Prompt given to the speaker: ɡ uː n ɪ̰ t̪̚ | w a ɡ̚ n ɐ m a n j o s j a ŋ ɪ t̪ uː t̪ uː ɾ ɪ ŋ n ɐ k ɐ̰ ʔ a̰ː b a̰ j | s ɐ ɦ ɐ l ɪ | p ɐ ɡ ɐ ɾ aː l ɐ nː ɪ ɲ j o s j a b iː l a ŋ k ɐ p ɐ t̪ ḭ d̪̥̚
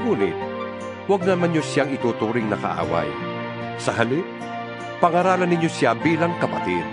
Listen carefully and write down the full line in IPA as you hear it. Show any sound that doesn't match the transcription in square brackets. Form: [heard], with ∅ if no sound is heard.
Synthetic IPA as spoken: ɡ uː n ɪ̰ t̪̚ | w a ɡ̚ n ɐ m a n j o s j a ŋ ɪ t̪ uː t̪ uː ɾ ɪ ŋ n ɐ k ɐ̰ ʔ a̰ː [w] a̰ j | s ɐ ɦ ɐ l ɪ | p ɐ [ŋ] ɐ ɾ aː l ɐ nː ɪ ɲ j o s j a b iː l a ŋ k ɐ p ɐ t̪ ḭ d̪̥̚